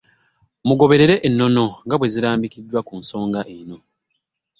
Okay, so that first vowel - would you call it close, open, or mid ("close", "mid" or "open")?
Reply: close